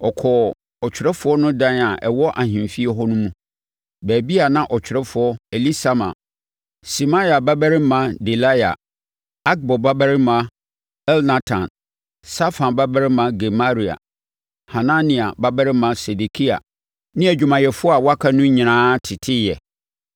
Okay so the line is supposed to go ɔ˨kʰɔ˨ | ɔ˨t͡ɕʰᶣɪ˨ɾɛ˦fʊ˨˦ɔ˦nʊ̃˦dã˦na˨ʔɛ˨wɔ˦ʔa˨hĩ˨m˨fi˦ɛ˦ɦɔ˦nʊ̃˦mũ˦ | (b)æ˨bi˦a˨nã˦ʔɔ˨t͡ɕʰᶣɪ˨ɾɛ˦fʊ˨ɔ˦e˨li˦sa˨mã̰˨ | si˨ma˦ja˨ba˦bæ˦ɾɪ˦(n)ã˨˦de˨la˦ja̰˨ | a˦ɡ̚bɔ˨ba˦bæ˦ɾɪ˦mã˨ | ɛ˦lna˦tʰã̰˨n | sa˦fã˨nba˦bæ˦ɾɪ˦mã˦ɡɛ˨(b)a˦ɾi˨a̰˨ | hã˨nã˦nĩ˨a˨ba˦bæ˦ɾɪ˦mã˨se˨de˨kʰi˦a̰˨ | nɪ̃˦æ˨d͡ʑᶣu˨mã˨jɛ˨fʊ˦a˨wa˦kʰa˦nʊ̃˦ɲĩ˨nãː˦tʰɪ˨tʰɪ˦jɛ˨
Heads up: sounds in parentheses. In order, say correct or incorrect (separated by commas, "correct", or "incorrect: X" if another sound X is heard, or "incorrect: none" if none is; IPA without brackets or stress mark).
correct, incorrect: m, incorrect: m